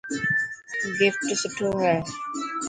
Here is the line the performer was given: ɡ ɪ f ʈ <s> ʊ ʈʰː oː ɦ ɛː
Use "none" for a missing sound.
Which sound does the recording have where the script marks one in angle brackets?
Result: s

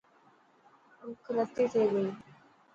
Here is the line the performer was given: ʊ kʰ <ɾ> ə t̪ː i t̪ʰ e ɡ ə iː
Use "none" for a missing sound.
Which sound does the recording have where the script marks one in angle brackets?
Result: ɾ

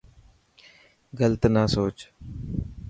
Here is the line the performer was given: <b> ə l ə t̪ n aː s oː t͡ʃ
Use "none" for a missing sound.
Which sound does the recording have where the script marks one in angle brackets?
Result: ɡ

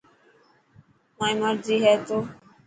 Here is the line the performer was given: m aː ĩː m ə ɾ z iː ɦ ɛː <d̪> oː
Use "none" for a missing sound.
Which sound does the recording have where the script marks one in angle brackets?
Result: t̪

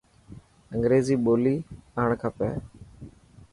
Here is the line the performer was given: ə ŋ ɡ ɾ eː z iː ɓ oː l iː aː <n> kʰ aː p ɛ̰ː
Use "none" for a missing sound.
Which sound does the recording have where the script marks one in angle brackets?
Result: ɳ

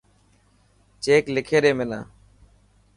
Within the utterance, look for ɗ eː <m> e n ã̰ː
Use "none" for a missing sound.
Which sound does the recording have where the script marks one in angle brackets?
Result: m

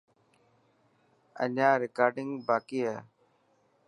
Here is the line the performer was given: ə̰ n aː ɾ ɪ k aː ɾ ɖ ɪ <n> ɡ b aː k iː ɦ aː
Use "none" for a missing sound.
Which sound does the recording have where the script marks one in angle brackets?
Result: ŋ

